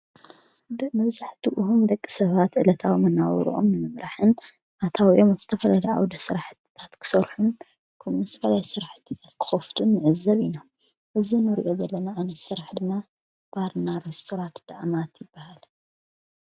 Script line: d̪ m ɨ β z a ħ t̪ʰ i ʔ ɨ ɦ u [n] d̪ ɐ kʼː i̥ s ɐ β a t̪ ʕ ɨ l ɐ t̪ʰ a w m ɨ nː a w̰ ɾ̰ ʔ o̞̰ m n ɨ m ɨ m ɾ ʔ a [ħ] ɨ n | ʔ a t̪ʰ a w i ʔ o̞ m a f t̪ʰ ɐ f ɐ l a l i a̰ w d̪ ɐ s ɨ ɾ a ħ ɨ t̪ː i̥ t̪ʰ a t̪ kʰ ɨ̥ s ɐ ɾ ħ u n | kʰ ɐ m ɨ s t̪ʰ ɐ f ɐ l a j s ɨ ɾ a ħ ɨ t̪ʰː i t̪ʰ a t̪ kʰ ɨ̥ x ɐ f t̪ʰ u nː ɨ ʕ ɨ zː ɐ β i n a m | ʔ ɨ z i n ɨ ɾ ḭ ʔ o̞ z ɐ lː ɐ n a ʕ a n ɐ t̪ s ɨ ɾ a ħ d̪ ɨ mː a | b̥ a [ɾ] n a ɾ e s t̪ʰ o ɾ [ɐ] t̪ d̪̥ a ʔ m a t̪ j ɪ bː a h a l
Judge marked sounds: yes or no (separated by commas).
no, yes, yes, no